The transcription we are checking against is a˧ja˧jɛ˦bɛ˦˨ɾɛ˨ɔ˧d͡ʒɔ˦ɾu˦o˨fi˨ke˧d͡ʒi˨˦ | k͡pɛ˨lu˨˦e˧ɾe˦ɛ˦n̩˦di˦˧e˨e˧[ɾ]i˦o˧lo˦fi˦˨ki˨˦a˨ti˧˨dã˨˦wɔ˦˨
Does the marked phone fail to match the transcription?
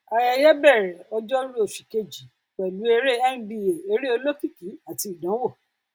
no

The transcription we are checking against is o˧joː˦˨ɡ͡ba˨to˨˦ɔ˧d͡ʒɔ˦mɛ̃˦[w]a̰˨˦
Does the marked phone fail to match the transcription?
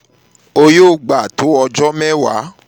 no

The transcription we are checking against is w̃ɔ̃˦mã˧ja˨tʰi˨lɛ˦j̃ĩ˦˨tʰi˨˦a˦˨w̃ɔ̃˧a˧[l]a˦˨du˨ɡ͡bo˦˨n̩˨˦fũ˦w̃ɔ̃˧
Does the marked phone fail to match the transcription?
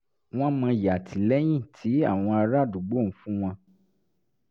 yes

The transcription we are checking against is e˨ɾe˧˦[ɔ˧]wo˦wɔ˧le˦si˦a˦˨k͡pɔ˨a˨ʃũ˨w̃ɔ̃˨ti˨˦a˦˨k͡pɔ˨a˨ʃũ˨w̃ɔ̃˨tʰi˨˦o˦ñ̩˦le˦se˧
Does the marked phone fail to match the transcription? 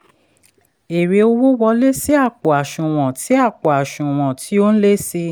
yes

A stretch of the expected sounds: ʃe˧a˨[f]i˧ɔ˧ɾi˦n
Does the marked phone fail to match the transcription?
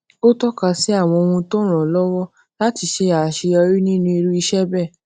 yes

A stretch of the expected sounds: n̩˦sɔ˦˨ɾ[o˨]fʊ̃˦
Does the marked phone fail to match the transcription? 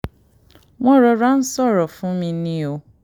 yes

